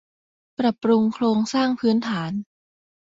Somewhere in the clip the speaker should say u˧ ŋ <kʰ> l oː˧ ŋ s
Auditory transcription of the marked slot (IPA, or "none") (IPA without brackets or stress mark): kʰ